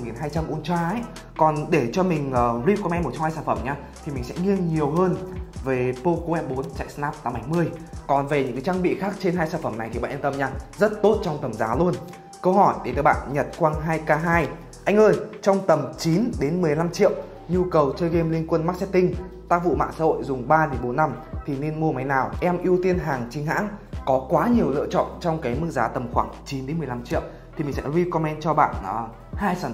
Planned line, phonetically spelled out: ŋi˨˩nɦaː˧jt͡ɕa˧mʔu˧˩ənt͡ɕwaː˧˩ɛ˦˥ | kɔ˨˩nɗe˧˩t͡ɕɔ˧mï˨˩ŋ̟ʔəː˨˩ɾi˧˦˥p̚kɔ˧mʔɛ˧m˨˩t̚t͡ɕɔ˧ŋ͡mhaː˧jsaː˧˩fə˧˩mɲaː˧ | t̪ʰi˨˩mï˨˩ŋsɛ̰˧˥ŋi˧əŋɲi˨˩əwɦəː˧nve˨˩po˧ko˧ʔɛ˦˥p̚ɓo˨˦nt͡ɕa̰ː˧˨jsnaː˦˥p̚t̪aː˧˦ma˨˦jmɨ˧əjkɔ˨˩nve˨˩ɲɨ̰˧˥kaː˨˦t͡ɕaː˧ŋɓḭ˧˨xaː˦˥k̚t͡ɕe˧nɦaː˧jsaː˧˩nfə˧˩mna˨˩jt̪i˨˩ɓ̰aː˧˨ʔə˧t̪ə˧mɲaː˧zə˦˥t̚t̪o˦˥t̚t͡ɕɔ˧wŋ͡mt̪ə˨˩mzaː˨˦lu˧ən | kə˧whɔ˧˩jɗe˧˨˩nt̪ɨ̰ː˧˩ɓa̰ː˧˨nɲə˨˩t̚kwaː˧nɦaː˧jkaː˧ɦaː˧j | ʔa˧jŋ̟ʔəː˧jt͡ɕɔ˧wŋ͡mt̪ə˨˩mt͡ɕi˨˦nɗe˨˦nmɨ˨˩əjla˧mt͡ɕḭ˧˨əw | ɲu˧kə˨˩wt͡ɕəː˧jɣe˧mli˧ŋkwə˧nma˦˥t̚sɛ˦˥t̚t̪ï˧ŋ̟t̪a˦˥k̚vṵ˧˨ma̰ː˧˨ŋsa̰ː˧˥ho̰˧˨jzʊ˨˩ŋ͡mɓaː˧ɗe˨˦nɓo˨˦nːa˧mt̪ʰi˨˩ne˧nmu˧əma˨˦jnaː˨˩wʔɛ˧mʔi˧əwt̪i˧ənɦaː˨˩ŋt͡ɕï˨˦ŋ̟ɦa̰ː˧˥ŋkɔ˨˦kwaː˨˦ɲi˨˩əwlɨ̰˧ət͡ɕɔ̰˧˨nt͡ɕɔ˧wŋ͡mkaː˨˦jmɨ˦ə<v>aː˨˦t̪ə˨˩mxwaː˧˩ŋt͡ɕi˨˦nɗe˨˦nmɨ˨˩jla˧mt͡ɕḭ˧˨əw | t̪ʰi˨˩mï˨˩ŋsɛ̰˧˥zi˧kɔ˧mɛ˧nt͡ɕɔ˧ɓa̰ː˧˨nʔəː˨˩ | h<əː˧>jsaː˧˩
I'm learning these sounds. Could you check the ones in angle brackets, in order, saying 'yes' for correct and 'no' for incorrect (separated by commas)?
no, no